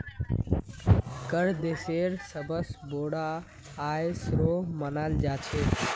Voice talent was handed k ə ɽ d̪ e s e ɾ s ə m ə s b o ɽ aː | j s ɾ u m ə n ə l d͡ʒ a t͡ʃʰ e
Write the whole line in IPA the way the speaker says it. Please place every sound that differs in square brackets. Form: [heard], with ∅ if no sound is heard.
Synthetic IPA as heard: k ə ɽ d̪ e s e ɾ s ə [b] ə s b o ɽ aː | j s ɾ [o] m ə n [a] l d͡ʒ a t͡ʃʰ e